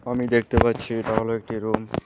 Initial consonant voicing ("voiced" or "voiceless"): voiced